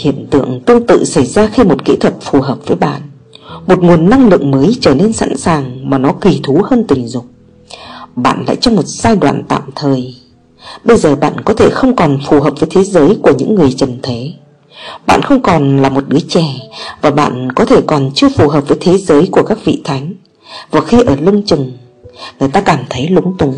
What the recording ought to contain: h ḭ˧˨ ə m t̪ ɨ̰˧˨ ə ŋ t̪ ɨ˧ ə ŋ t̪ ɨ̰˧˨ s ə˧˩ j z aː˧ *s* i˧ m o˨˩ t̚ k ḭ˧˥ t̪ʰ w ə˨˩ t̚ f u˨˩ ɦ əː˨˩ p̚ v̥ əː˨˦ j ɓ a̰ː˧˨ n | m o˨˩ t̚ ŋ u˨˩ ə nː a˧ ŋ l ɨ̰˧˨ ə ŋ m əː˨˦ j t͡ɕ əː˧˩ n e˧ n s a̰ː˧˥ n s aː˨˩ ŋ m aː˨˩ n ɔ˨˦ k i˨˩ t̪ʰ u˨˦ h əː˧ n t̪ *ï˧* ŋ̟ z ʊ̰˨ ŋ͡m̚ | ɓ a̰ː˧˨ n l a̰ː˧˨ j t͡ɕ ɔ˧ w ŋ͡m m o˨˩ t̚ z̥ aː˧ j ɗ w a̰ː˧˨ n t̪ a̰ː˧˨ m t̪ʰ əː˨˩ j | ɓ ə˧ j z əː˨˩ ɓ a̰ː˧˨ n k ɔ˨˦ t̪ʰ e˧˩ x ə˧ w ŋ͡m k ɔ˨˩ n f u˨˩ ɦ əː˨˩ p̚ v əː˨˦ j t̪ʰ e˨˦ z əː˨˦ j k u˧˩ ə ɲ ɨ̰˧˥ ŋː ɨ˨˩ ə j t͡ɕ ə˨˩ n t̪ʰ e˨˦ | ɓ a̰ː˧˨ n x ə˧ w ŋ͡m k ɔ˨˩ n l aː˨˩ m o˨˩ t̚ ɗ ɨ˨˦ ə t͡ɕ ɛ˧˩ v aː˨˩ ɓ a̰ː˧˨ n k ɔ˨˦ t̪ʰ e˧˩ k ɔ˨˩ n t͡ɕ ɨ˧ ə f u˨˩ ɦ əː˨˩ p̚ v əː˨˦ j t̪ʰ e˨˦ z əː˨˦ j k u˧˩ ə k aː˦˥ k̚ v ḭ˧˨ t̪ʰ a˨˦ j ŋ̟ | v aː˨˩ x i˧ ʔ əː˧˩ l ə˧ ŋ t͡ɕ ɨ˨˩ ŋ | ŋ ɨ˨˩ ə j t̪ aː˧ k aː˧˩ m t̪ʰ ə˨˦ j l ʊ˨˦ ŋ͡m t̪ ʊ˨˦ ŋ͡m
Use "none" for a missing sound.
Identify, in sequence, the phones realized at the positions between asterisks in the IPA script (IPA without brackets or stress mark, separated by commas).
x, ï˨˩